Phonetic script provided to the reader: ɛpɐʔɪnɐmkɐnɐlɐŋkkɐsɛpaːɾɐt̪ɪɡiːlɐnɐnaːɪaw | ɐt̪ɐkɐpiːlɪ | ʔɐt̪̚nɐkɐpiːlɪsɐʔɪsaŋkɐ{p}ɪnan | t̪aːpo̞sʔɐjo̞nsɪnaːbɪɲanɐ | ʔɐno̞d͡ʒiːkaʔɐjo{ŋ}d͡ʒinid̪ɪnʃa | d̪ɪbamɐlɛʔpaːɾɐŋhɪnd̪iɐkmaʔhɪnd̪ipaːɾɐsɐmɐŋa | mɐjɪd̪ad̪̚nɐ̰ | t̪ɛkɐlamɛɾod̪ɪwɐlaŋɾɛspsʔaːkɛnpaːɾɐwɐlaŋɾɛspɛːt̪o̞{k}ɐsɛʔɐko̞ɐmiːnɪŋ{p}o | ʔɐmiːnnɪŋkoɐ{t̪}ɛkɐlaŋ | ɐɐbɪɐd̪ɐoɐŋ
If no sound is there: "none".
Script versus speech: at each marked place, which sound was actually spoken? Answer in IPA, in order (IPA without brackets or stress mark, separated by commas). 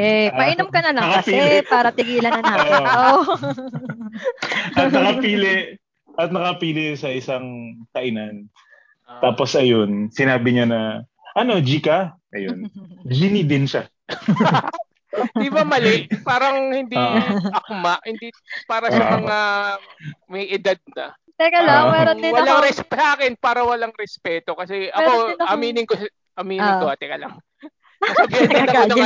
ʔ, n, k, k, t̪